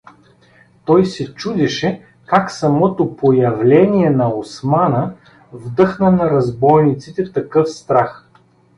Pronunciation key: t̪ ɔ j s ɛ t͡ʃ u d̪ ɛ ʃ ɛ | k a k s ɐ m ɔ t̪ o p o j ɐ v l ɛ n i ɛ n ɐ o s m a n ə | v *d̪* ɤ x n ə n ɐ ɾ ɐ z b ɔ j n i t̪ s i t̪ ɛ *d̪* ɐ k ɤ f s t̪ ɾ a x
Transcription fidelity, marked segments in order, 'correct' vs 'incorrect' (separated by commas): correct, incorrect